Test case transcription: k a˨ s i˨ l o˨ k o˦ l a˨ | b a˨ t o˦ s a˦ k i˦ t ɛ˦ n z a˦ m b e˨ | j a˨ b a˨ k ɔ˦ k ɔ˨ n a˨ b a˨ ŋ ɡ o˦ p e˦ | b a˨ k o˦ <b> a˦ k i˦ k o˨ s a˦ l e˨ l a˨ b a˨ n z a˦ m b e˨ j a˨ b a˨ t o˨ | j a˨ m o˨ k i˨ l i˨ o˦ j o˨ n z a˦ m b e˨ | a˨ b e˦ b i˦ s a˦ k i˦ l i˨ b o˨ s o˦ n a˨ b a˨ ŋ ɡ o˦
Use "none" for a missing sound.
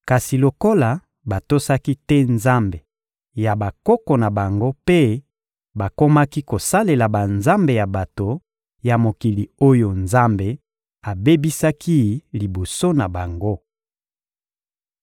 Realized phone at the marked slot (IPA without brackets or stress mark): m